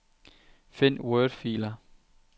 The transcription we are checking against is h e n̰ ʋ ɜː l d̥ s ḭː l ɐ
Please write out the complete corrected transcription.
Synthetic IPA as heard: f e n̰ w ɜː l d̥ f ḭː l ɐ